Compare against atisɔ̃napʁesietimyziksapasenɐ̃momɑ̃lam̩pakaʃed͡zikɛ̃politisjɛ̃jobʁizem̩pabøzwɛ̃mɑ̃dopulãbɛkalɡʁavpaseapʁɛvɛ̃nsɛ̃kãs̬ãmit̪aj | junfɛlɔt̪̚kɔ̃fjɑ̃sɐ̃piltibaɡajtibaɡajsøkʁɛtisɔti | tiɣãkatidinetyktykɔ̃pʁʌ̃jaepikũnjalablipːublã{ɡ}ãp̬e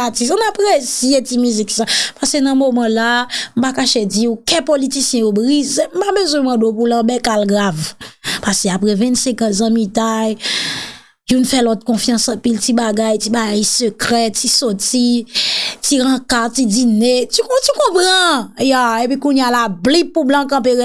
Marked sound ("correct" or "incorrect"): incorrect